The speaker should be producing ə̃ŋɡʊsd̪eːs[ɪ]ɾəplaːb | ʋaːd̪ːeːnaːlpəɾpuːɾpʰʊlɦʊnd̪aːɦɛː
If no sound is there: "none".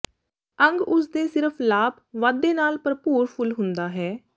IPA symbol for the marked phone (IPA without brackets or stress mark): ɪ